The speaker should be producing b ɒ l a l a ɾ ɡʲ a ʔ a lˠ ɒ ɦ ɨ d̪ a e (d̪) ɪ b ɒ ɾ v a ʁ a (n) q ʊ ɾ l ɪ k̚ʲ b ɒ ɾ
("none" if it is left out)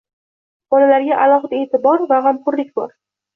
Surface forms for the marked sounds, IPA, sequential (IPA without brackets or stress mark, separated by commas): t̪, m